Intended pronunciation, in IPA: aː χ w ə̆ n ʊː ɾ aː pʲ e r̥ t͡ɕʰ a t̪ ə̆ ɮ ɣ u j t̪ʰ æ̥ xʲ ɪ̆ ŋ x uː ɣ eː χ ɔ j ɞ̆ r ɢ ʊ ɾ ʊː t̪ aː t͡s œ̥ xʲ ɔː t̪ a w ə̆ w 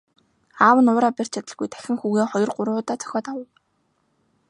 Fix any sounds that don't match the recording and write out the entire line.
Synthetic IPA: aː w ə̆ n ʊː ɾ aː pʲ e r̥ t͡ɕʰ a t̪ ə̆ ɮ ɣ u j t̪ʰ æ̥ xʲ ɪ̆ ŋ x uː ɣ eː χ ɔ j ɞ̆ r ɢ ʊ ɾ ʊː t̪ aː t͡s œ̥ xʲ ɔː t̪ a w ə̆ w